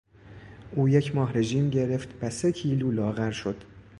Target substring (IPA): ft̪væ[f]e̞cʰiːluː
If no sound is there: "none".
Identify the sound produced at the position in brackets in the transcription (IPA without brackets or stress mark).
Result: s